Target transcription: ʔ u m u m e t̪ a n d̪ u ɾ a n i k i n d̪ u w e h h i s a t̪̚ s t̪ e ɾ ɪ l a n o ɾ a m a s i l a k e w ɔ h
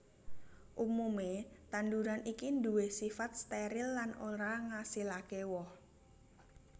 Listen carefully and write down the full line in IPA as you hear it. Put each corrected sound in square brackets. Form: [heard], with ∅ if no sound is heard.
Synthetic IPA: ʔ u m u m e t̪ a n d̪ u ɾ a n i k i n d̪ u w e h [s] i [f] a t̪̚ s t̪ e ɾ ɪ [lː] a n o ɾ a [ŋ] a s i l a k e w ɔ h

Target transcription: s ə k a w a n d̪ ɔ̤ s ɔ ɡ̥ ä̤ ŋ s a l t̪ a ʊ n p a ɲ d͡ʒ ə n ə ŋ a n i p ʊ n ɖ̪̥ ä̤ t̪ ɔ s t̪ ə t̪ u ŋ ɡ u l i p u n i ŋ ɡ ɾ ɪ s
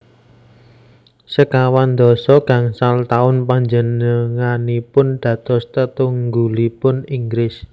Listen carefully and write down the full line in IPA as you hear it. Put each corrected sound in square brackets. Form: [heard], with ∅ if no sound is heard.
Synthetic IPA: s ə k a w a n d̪ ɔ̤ s ɔ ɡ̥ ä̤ ŋ s a l t̪ a ʊ n p a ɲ d͡ʒ ə n ə ŋ a n i p ʊ n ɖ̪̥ ä̤ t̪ ɔ s t̪ ə t̪ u ŋ ɡ u l i p [ʊ] n i ŋ ɡ ɾ ɪ s

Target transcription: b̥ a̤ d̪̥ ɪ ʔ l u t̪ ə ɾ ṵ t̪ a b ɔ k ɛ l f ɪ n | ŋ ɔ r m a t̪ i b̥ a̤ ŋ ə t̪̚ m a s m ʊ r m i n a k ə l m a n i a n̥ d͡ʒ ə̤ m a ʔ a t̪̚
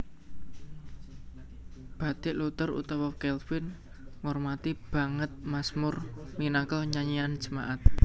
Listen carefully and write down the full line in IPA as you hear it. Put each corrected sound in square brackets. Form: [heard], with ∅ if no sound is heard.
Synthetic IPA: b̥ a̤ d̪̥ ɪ ʔ l u t̪ ə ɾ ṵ t̪ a [w] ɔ k ɛ l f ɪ n | ŋ ɔ r m a t̪ i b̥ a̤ ŋ ə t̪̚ m a s m ʊ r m i n a k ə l [ɲ] a [ɲ] i a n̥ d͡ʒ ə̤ m a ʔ a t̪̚

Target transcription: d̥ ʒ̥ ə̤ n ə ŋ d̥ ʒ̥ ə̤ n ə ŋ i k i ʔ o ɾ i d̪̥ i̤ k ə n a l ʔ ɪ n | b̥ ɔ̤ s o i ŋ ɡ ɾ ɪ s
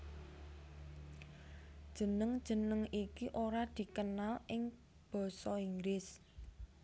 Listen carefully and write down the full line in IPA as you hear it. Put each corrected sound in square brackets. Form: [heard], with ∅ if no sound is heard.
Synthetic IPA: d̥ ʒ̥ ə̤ n ə ŋ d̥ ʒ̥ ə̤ n ə ŋ i k i ʔ o ɾ [a] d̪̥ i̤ k ə n a l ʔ ɪ [ŋ] | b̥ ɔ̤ s [ɔ] i ŋ ɡ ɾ ɪ s

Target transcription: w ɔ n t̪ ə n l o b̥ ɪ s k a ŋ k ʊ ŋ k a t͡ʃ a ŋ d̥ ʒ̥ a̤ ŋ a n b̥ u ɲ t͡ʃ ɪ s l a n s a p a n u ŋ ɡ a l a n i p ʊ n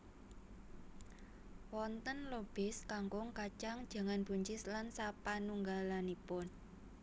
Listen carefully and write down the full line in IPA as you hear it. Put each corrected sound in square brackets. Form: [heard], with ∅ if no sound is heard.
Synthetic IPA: w ɔ n t̪ ə n l o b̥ ɪ s k a ŋ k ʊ ŋ k a t͡ʃ a ŋ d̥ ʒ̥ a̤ ŋ a n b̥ u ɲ t͡ʃ ɪ s l a n s a p a n u ŋ ɡ a l a n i p ʊ n

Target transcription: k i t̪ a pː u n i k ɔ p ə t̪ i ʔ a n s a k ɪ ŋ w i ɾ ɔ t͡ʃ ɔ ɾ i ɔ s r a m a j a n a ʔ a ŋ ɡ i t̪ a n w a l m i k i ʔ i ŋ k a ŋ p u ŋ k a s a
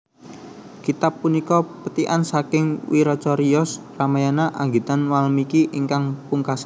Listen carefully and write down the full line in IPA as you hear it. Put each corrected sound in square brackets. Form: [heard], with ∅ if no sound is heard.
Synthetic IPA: k i t̪ a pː u n i k ɔ p ə t̪ i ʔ a n s a k ɪ ŋ w i ɾ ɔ t͡ʃ ɔ ɾ i ɔ s r a m a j a n a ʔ a ŋ ɡ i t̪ a n w a l m i k i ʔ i ŋ k a ŋ p u ŋ k a s a

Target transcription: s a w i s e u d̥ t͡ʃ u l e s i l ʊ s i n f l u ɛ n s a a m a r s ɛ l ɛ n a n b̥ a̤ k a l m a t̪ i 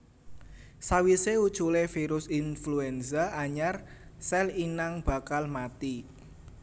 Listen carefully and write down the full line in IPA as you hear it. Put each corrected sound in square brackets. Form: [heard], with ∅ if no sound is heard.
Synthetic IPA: s a w i s e u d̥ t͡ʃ u l e [f] i [ɾ] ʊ s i n f l u ɛ n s a a [ɲ] a r s ɛ l [i] n a [ŋ] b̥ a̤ k a l m a t̪ i

